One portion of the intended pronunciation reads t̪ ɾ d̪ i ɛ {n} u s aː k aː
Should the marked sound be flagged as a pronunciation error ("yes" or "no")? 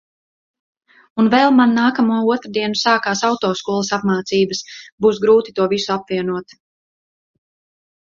no